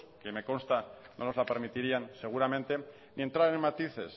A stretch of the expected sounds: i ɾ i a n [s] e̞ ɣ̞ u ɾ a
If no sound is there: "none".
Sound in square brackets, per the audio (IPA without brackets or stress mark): s